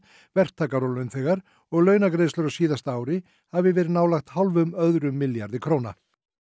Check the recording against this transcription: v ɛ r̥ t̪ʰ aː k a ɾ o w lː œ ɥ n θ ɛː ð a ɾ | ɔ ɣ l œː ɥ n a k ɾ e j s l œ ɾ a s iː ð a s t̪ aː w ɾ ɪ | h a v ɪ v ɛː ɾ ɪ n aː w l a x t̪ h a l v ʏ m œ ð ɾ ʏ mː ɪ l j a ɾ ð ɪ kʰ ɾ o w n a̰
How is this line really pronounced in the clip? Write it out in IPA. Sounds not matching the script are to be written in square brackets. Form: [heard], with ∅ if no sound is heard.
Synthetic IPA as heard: v ɛ r̥ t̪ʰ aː k a ɾ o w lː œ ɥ n θ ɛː [ɣ] a ɾ | ɔ ɣ l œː ɥ n a k ɾ e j s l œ ɾ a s iː ð a s t̪ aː w ɾ ɪ | h a v ɪ v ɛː ɾ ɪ n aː w l a x t̪ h a l v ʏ m œ ð ɾ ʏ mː ɪ l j a ɾ ð ɪ kʰ ɾ o w n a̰